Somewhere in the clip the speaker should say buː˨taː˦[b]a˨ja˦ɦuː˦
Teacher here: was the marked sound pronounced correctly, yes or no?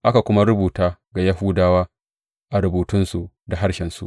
no